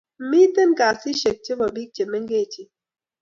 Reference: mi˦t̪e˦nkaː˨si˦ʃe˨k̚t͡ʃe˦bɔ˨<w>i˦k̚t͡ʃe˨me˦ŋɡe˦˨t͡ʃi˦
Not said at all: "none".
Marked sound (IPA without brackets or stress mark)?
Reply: b